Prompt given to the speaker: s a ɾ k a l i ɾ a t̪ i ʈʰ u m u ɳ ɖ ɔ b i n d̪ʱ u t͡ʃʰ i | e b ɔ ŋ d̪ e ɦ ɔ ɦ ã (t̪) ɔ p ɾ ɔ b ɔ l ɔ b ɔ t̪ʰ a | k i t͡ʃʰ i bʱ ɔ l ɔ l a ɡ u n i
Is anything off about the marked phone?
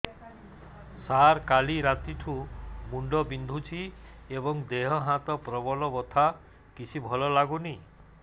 no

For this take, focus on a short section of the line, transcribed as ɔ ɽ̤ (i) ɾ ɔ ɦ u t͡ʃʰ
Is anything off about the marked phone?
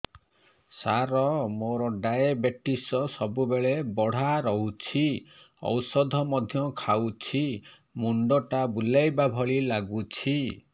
yes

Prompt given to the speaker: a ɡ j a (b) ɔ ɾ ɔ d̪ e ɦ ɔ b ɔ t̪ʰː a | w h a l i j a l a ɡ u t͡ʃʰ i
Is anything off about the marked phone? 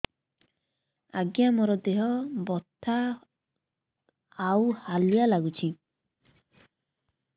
yes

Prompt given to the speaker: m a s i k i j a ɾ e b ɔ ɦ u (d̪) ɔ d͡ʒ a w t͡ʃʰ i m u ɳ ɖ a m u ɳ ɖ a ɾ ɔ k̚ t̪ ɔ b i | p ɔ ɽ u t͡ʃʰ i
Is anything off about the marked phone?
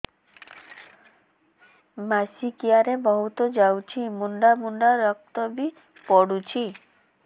yes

